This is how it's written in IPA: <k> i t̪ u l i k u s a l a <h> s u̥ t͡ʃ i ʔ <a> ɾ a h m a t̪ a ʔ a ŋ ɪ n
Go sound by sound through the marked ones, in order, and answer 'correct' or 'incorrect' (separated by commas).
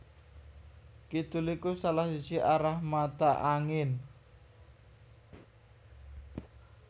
correct, correct, correct